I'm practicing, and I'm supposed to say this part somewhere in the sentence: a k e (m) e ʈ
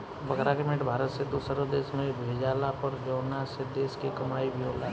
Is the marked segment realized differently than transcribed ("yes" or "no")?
no